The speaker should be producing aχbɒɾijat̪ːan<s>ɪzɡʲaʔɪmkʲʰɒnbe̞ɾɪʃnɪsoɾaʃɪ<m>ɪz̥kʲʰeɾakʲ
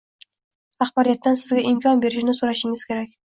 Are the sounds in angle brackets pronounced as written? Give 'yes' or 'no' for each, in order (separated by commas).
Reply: yes, no